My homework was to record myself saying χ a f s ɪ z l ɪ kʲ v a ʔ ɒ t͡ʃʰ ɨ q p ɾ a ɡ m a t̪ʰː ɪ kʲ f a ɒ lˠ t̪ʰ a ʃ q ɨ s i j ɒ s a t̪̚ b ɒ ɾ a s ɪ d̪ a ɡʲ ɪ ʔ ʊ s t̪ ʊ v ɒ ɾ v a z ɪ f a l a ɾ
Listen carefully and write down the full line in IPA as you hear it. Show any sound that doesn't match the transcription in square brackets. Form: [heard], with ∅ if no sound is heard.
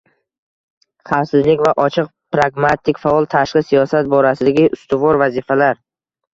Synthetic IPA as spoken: χ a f s ɪ z l ɪ kʲ v a ʔ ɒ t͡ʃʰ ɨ q p ɾ a ɡ m a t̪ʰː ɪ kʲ f a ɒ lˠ t̪ʰ a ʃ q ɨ s i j ɒ s a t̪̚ b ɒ ɾ a s ɪ d̪ a ɡʲ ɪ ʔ ʊ s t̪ ʊ v ɒ ɾ v a z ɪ f a l a ɾ